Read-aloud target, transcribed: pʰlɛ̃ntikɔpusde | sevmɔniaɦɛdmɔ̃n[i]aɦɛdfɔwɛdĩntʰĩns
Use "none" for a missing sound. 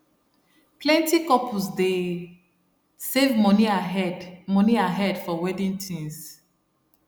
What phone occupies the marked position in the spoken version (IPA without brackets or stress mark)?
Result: i